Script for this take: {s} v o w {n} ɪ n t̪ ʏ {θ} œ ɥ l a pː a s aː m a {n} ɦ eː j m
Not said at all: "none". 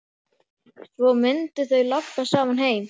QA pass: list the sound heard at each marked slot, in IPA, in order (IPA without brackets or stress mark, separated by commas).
θ, m, θ, n